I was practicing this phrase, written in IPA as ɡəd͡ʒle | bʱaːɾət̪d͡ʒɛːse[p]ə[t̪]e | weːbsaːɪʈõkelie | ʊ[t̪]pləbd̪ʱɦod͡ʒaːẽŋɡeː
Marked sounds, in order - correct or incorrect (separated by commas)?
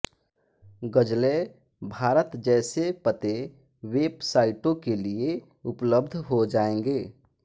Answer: correct, correct, incorrect